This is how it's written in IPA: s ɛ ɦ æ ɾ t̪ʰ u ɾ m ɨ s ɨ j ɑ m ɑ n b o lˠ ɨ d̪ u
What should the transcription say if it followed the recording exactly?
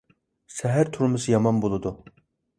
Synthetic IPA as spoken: s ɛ ɦ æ ɾ t̪ʰ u ɾ m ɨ s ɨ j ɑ m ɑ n b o lˠ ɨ d̪ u